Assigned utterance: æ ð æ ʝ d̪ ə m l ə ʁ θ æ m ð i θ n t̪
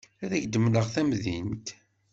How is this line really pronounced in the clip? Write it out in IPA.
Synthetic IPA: æ ð æ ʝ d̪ ə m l ə ʁ θ æ m ð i n t̪